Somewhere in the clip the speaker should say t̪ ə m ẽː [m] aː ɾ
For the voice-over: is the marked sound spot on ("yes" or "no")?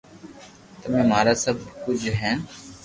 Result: yes